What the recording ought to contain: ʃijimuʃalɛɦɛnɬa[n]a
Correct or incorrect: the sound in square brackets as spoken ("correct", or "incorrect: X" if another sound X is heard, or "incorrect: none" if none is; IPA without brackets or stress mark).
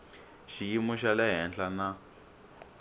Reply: correct